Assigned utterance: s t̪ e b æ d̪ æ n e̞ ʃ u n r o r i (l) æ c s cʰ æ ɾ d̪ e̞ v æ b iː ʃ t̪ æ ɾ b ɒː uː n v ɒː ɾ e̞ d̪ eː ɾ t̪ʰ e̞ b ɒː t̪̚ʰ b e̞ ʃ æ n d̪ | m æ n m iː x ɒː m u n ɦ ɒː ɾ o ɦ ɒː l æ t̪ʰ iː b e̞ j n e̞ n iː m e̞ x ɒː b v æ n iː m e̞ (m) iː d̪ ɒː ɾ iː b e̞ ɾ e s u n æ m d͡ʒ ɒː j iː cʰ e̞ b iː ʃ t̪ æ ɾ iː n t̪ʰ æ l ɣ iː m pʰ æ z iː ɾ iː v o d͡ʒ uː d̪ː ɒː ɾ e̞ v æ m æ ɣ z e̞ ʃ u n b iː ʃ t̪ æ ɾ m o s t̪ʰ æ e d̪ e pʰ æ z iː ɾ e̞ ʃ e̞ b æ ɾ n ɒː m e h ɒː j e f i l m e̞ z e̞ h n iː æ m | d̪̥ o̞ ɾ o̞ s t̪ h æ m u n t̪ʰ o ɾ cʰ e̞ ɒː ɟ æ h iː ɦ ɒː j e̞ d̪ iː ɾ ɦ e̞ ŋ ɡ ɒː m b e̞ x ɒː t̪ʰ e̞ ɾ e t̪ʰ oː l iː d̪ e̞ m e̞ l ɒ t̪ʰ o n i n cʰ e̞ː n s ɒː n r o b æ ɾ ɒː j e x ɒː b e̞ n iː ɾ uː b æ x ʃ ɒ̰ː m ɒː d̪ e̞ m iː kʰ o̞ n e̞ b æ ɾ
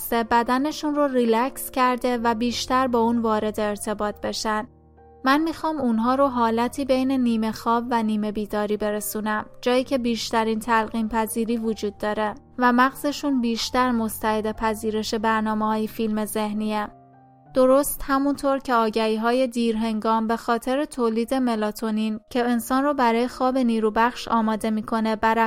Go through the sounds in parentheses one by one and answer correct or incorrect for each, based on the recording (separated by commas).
correct, incorrect